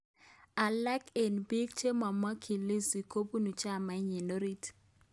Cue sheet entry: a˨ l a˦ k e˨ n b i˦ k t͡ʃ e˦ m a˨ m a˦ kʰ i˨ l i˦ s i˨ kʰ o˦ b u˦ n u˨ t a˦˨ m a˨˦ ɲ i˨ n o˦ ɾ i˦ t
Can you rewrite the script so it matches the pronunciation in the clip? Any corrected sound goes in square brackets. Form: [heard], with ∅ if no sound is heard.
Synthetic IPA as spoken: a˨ l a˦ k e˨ n b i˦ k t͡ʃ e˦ m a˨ m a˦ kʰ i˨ l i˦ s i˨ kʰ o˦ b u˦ n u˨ [t͡ʃ] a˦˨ m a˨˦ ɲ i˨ n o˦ ɾ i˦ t

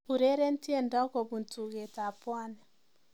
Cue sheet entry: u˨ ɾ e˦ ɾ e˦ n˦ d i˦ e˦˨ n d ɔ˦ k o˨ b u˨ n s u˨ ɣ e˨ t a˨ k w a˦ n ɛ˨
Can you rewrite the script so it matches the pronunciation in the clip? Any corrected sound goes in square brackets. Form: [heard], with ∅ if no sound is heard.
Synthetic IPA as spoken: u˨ ɾ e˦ ɾ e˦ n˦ [t] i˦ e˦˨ n d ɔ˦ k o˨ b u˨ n [t] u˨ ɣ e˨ t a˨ [p] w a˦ n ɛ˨

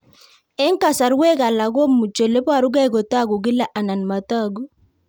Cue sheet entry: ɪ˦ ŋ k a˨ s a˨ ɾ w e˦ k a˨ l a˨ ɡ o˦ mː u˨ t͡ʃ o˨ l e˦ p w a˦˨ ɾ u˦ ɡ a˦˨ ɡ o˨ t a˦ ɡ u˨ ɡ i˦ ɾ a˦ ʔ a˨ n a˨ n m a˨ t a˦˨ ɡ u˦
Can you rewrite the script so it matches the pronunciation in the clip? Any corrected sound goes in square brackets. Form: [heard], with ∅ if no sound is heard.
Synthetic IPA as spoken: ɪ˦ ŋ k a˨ s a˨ ɾ w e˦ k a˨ l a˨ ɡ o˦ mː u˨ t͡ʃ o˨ l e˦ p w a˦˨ ɾ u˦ ɡ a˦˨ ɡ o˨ t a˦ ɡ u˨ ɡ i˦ [l] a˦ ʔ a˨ n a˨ n m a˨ t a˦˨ ɡ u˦

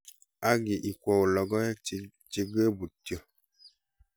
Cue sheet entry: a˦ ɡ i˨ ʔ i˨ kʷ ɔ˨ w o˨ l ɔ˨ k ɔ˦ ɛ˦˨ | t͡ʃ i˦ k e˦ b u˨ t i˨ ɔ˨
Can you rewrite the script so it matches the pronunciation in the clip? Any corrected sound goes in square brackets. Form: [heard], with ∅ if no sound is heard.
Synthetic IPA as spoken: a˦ ɡ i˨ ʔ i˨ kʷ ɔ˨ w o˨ l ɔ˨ [ɡ] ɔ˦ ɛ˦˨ | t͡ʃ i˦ [ɡ] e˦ b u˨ t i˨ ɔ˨

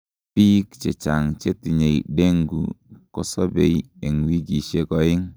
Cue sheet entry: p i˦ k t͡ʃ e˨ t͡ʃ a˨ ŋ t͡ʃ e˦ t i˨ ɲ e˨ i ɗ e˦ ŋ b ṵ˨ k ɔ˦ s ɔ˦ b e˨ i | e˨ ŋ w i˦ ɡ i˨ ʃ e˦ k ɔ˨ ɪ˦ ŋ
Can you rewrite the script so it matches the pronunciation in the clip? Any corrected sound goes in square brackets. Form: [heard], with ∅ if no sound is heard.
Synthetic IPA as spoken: p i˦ k t͡ʃ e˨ t͡ʃ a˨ ŋ t͡ʃ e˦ t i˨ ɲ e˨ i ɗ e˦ ŋ [ɡ] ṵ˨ k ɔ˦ s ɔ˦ b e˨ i | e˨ ŋ w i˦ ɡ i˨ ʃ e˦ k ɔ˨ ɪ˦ ŋ

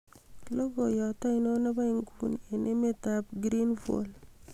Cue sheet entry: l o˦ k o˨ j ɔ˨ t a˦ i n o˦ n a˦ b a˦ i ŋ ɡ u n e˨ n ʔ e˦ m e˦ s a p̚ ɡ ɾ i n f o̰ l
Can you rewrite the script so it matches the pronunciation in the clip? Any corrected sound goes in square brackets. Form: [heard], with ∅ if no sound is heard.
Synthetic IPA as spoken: l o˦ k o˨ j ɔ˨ t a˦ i n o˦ n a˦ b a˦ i ŋ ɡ u n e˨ n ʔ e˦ m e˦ [t] a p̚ ɡ ɾ i n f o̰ l

